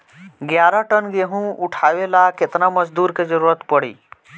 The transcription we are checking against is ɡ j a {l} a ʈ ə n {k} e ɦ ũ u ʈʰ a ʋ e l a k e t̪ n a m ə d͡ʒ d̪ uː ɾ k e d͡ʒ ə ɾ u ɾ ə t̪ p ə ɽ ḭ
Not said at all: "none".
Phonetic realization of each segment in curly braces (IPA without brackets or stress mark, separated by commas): ɾ, ɡ